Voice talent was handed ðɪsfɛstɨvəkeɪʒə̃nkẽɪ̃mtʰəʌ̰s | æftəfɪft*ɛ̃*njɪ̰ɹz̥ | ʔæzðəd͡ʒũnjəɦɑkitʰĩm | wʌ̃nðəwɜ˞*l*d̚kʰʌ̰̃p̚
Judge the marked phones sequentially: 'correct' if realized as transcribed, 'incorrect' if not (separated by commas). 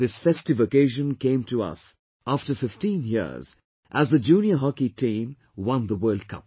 incorrect, correct